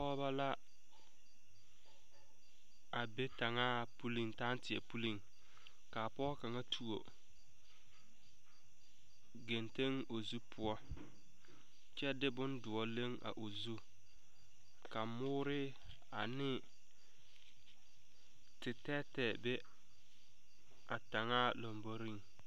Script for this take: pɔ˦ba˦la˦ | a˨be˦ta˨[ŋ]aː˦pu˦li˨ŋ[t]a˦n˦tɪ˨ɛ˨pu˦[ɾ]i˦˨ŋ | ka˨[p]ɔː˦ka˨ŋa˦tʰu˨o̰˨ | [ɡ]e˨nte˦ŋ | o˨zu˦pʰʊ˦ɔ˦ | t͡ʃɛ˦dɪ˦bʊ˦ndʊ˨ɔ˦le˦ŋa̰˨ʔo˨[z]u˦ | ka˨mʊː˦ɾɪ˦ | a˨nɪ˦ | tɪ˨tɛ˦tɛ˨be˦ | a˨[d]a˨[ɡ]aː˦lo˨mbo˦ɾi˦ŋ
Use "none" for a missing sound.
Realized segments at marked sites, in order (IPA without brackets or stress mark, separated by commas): ŋ, t, l, p, ɡ, z, t, ŋ